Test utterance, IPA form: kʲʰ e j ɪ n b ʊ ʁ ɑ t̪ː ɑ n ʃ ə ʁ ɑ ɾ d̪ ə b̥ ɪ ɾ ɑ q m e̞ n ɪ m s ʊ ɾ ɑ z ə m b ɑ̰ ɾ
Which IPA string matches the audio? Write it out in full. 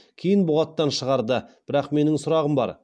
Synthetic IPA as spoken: kʲʰ e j ɪ n b ʊ ʁ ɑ t̪ː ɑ n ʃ ə ʁ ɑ ɾ d̪ ə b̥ ɪ ɾ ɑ q m e̞ n ɪ ŋ s ʊ ɾ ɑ ʁ ə m b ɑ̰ ɾ